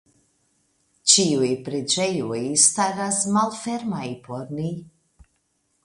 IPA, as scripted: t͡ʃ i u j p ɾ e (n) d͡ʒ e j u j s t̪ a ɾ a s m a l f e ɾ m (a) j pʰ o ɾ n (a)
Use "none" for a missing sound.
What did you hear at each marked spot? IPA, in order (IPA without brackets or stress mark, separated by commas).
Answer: none, a, i